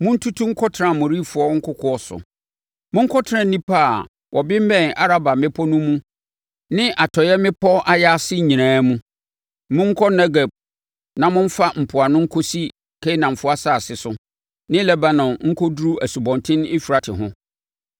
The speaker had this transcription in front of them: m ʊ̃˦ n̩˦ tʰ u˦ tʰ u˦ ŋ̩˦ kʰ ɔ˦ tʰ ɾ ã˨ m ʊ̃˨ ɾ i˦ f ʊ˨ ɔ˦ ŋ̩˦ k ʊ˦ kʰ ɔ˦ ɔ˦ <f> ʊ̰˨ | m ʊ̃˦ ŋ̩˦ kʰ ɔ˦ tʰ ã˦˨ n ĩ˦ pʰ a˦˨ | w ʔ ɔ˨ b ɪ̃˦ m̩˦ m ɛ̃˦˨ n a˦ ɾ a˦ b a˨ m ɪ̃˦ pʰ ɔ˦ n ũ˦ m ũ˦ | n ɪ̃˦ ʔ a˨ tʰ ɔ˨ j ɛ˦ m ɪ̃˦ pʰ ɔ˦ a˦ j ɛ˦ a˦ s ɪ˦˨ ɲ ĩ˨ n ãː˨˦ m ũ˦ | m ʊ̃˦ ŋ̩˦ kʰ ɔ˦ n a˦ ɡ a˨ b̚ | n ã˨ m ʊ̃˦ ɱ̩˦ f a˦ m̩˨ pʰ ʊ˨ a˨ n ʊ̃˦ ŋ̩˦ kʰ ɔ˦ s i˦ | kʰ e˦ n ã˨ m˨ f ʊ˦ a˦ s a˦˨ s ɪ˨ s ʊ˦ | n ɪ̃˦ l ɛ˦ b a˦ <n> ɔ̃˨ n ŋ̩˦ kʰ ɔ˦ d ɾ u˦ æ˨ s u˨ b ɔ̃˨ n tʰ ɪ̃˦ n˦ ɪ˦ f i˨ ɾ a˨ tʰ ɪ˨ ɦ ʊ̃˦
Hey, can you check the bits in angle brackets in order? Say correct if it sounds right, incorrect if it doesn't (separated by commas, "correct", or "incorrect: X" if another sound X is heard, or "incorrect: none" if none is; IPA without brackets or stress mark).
incorrect: s, correct